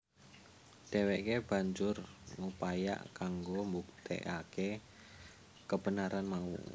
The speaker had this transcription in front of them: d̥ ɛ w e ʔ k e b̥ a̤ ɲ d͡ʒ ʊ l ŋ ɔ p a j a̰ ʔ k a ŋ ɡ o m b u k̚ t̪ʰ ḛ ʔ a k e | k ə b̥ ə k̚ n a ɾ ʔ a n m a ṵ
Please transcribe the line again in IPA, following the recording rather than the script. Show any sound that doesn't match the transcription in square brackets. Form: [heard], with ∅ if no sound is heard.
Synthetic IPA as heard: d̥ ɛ w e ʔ k e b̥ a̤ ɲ d͡ʒ ʊ [r] ŋ [u] p a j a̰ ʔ k a ŋ ɡ o m b u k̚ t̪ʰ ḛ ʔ a k e | k ə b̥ ə [∅] n a ɾ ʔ a n m a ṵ